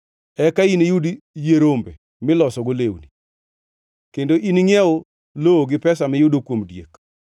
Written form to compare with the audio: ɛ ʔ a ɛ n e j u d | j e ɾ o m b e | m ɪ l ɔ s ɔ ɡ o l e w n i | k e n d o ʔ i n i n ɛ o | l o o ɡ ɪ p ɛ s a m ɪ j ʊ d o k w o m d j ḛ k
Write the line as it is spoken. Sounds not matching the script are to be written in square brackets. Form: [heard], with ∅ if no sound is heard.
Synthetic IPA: ɛ [k] a [i] n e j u d | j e ɾ o m b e | m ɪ l ɔ s ɔ ɡ o l e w n i | k e n d o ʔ i n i [ŋ] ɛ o | l o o ɡ ɪ p ɛ s a m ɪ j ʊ d o k w o m d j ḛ k